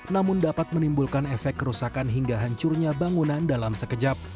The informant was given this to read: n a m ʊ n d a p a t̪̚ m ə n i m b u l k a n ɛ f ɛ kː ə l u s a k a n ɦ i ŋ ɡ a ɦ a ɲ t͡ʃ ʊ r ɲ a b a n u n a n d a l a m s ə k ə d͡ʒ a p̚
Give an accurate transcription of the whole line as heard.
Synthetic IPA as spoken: n a m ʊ n d a p a t̪̚ m ə n i m b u l k a n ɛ f ɛ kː ə ɾ u s a k a n ɦ i ŋ ɡ a ɦ a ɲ t͡ʃ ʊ r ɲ a b a ŋ u n a n d a l a m s ə k ə d͡ʒ a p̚